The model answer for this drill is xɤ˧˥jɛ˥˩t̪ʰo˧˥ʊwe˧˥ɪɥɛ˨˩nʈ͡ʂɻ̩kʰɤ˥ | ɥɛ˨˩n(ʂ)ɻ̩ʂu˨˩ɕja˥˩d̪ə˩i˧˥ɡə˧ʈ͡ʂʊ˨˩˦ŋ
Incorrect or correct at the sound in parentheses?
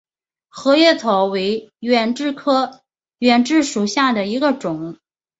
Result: incorrect: ʈ͡ʂ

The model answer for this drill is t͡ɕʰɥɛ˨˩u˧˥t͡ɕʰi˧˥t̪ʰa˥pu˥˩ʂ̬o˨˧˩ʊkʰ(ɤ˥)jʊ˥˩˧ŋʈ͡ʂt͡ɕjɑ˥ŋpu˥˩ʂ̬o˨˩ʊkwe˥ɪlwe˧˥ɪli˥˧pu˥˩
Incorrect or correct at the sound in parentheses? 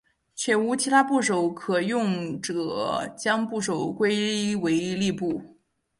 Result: incorrect: ɤ˨˩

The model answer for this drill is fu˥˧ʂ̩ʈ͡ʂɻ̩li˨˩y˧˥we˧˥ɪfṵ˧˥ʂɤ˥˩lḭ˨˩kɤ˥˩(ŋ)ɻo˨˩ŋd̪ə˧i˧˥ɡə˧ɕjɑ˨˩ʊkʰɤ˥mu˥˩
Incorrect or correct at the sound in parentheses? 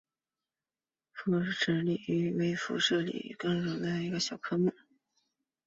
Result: correct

